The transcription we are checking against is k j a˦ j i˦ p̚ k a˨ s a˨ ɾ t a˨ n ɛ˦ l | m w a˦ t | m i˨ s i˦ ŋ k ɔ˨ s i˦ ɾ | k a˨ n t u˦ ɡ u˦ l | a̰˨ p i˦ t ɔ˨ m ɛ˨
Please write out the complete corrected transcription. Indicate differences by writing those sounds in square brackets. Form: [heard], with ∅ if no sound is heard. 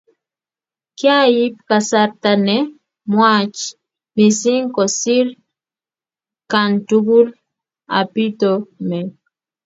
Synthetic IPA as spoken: k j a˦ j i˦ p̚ k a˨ s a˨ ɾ t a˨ n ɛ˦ [∅] | m w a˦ [t͡ʃ] | m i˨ s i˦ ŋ k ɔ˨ s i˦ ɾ | k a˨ n t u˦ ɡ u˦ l | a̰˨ p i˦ t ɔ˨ m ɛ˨